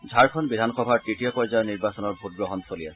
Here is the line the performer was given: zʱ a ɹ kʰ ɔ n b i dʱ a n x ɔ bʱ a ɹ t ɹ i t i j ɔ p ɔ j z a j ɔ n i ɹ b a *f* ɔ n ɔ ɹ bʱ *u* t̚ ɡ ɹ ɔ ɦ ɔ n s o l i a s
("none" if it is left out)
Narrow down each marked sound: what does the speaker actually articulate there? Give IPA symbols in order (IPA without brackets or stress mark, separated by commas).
s, u